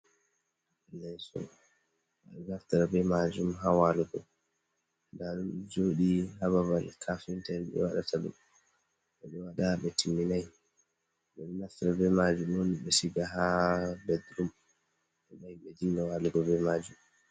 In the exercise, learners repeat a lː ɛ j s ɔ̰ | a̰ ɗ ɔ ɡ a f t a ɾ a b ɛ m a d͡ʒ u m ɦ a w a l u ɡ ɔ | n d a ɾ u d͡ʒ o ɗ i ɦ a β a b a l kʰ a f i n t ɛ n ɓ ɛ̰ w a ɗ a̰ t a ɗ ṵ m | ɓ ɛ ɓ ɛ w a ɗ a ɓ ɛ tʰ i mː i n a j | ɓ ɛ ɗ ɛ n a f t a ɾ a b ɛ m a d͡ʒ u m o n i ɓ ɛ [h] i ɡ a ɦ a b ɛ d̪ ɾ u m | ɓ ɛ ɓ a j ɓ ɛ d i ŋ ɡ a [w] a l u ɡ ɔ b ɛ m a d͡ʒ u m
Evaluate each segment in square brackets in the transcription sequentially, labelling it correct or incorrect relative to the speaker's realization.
incorrect, correct

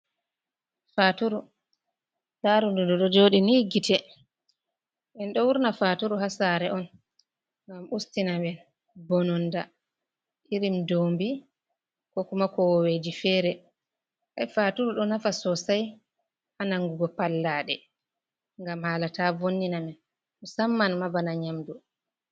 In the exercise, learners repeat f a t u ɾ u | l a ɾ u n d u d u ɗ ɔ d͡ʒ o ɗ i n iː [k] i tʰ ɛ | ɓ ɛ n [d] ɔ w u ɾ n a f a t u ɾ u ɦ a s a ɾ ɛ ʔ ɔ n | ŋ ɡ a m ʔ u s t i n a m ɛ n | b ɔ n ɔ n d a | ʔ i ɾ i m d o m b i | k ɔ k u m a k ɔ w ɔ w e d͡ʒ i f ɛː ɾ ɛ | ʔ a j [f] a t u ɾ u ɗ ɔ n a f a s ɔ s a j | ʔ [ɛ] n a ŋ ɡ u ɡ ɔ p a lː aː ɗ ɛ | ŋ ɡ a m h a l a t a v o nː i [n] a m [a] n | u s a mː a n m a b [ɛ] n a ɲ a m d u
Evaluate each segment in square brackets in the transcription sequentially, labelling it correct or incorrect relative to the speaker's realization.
incorrect, incorrect, correct, incorrect, correct, incorrect, incorrect

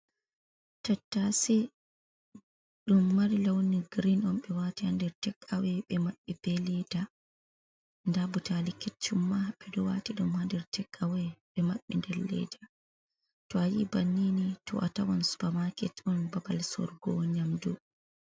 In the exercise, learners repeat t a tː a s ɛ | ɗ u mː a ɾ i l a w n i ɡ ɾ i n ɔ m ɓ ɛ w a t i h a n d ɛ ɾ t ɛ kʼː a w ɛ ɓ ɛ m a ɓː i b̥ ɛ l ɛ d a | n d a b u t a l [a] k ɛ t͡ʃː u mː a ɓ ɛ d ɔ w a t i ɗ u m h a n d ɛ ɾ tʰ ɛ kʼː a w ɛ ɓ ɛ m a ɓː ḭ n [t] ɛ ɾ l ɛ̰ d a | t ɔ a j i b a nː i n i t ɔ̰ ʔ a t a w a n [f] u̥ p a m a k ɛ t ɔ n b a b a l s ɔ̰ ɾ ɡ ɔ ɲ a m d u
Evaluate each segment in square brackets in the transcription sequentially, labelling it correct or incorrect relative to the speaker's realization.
incorrect, incorrect, incorrect

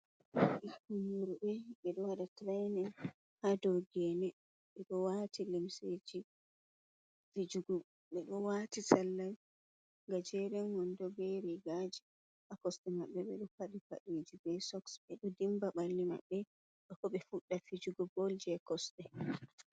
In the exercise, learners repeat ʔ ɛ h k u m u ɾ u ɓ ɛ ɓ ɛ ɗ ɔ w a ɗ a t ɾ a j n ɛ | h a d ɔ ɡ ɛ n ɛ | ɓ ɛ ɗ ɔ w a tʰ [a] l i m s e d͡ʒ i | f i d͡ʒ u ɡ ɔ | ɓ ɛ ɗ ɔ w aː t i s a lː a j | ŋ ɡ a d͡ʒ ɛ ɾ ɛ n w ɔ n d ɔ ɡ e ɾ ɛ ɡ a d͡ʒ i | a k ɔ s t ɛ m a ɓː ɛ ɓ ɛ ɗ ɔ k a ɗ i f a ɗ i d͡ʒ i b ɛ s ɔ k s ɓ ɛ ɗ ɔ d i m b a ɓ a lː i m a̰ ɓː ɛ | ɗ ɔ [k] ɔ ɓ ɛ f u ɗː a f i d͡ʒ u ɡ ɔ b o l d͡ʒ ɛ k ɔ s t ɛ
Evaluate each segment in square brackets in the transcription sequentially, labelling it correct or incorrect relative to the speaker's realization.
incorrect, correct

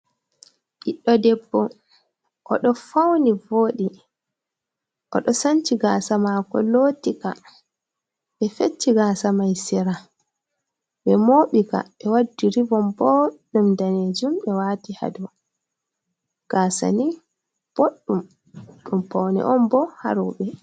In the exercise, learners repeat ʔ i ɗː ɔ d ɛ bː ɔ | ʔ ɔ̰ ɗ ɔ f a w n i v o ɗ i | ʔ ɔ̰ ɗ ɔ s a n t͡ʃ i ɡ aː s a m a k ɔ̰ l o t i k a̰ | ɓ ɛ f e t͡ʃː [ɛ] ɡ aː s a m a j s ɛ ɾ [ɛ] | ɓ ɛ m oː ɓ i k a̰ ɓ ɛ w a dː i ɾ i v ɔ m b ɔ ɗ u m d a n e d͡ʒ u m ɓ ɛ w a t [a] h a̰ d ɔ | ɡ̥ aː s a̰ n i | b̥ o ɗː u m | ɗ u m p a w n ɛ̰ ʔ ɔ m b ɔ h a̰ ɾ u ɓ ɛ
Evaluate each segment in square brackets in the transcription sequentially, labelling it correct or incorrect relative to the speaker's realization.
incorrect, incorrect, incorrect

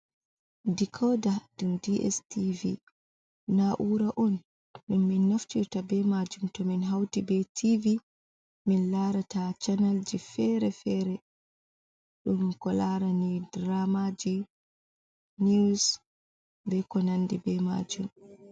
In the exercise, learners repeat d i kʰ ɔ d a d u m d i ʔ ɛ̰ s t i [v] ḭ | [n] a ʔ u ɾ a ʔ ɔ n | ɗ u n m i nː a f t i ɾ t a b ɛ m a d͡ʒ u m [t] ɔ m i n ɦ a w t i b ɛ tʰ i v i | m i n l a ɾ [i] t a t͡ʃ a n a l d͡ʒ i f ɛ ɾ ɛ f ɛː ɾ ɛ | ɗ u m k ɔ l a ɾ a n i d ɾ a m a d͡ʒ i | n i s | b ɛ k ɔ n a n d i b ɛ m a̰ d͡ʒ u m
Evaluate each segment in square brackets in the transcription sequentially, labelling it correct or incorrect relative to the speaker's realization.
correct, correct, correct, incorrect

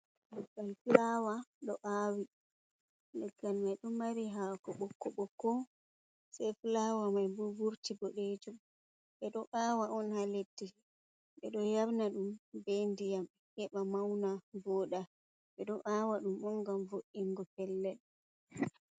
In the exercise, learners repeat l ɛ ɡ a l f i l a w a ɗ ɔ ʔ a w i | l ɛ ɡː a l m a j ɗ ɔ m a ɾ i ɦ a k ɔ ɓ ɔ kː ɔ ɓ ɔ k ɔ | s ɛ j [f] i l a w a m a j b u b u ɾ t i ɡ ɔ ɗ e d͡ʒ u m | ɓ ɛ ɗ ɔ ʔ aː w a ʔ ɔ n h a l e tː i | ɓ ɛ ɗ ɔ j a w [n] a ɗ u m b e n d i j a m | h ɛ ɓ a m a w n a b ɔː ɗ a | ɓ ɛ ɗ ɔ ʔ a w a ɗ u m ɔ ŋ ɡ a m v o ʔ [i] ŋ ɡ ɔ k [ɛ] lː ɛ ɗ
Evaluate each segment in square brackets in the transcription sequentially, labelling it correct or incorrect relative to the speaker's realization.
correct, correct, correct, correct

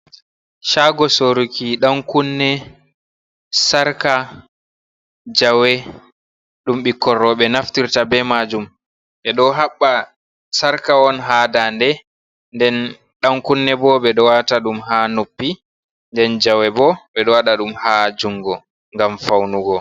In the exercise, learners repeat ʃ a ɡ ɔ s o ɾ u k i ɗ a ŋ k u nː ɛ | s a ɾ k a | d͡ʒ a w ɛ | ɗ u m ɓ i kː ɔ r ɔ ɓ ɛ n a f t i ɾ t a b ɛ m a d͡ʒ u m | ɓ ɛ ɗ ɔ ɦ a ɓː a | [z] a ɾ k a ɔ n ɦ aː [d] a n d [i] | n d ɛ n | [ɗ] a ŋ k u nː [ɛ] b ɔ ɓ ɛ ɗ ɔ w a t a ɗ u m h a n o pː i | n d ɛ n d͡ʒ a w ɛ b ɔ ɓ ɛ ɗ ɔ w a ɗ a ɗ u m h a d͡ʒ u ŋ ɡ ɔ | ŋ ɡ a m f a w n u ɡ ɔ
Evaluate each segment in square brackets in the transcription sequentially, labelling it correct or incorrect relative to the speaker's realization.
incorrect, correct, incorrect, correct, correct

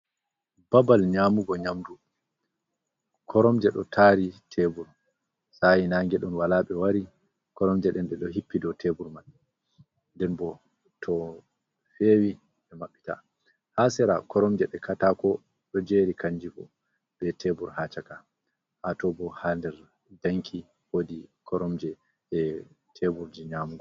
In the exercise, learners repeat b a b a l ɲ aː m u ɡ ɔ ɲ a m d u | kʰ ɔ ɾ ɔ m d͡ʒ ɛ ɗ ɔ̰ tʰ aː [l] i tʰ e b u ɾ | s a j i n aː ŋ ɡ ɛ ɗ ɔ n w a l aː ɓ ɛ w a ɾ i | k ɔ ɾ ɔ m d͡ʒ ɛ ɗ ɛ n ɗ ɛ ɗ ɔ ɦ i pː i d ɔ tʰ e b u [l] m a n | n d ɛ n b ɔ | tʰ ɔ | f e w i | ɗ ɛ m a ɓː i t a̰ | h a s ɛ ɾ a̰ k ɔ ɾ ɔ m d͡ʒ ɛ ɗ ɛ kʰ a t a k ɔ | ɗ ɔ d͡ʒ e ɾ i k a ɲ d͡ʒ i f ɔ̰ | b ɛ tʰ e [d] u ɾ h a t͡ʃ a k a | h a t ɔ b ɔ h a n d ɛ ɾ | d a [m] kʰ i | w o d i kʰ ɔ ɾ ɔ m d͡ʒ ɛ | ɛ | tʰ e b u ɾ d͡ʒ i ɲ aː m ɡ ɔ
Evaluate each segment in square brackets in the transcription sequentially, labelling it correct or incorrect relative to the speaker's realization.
incorrect, incorrect, incorrect, incorrect

